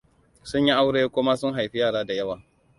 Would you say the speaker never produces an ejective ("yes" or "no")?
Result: yes